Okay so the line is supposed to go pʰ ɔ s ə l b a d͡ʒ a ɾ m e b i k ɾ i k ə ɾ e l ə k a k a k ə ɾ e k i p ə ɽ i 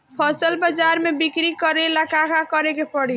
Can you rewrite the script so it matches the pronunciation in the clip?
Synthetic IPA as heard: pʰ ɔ s ə l b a d͡ʒ a ɾ m e b i k ɾ i k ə ɾ e l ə k a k a k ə ɾ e k e p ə ɽ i